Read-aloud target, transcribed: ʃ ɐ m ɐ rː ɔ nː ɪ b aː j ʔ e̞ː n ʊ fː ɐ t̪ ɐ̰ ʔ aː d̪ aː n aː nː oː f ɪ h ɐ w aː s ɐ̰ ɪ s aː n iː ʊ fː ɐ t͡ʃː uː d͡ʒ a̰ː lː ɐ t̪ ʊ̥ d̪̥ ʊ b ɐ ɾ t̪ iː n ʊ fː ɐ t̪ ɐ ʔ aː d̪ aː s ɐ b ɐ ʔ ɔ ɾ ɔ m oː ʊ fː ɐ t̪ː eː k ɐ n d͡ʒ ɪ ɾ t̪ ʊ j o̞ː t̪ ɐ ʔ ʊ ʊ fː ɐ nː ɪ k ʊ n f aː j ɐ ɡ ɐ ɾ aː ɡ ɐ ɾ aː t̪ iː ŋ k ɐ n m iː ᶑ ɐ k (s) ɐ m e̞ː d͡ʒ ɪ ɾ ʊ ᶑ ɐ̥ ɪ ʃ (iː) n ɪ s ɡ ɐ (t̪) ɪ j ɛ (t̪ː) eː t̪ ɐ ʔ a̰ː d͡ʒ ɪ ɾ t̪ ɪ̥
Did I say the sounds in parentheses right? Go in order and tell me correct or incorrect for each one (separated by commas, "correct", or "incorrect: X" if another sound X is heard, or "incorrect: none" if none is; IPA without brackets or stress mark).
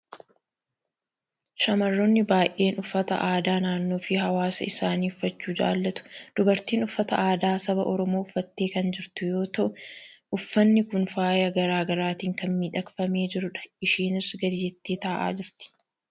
incorrect: f, correct, incorrect: d̪, correct